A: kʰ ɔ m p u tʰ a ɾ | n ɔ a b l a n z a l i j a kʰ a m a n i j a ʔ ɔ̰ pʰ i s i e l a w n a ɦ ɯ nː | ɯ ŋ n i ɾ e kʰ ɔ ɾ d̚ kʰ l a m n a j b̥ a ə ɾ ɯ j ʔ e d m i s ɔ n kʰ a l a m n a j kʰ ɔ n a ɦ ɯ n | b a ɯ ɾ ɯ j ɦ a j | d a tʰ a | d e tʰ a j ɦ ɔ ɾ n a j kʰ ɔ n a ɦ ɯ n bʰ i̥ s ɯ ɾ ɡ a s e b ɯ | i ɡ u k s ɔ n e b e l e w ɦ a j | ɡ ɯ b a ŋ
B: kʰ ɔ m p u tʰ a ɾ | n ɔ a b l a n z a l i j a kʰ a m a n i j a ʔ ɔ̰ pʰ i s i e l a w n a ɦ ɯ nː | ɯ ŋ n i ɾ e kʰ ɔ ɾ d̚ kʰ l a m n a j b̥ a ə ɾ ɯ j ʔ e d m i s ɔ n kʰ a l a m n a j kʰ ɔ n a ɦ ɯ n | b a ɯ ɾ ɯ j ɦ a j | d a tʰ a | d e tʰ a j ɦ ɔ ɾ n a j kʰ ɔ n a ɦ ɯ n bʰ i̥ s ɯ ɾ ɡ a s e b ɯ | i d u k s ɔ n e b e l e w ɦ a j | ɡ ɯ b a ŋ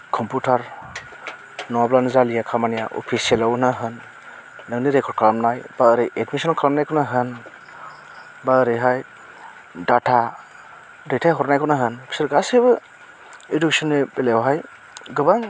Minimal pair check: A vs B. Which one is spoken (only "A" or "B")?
B